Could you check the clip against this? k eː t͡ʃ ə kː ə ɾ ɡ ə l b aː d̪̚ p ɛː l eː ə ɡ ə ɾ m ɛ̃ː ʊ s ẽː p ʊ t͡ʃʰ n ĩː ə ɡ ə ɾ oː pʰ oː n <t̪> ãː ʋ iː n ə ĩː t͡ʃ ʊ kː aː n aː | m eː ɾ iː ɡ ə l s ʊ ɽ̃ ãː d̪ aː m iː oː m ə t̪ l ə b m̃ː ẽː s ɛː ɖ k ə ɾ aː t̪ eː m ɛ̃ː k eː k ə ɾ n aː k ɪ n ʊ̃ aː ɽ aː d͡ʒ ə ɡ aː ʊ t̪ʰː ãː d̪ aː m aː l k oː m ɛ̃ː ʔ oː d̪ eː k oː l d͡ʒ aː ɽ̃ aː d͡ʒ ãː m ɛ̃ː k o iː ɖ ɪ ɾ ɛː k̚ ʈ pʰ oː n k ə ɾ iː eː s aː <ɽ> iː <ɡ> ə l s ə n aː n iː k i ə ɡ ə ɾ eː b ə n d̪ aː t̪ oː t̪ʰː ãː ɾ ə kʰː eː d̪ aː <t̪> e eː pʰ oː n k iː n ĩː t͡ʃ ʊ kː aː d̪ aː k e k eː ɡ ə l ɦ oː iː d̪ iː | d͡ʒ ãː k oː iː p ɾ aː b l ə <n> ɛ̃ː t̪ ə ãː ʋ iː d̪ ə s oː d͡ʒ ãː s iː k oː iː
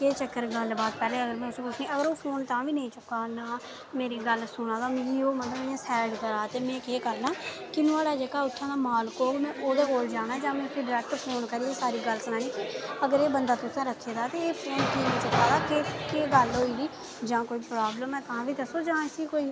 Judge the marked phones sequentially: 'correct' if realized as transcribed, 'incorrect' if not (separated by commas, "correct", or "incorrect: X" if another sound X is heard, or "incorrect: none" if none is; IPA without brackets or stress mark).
correct, incorrect: ɾ, correct, correct, incorrect: m